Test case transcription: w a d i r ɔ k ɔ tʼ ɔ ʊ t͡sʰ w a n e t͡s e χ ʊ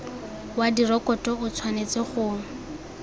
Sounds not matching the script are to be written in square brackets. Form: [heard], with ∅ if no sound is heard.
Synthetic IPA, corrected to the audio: w a d i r ɔ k ɔ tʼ ɔ ʊ t͡sʰ w a n e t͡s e χ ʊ